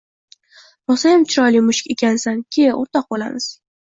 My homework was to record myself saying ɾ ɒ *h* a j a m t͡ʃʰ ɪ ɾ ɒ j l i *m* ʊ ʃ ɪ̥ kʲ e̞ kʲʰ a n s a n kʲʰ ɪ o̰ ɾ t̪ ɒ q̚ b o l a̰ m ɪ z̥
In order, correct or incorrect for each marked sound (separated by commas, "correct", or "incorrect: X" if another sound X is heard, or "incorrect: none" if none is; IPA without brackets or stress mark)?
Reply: incorrect: s, correct